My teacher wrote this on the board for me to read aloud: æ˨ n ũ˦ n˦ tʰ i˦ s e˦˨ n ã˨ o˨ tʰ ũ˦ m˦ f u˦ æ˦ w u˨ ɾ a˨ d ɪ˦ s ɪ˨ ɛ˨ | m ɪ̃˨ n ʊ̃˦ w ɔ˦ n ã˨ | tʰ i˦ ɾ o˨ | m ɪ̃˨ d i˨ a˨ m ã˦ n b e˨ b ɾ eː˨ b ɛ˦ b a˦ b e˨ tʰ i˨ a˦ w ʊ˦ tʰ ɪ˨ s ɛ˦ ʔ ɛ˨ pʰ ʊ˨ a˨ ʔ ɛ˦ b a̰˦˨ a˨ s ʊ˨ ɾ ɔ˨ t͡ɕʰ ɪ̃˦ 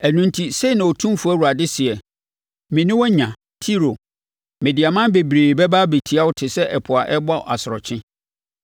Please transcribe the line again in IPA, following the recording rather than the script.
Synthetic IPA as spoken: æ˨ n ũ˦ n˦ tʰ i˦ s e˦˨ n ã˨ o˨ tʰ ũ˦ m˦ f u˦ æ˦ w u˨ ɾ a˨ d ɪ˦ s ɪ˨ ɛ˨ | m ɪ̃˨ n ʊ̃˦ w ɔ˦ ɲ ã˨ | tʰ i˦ ɾ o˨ | m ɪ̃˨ d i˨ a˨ m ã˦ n b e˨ b ɾ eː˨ b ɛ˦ b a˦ b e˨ tʰ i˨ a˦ w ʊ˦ tʰ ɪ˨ s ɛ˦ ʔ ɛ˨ pʰ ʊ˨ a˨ ʔ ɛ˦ b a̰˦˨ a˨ s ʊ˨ ɾ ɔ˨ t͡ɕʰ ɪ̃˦